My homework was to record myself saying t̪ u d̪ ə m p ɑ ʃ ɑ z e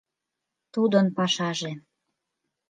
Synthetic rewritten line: t̪ u d̪ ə n p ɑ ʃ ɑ ʒ e